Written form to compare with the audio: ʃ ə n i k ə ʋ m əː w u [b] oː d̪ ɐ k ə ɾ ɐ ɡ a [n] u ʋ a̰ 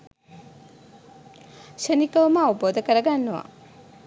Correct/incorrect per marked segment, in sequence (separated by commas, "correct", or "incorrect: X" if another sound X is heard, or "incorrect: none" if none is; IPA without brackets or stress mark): correct, incorrect: nː